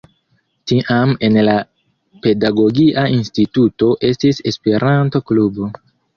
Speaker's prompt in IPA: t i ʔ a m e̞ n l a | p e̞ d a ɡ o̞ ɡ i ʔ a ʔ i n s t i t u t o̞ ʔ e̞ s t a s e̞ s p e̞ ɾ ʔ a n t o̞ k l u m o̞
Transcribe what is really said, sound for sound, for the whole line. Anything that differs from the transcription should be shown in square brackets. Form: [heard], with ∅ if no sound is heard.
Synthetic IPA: t i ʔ a m e̞ n l a | p e̞ d a ɡ o̞ ɡ i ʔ a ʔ i n s t i t u t o̞ ʔ e̞ s t [i] s e̞ s p e̞ ɾ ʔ a n t o̞ k l u [b] o̞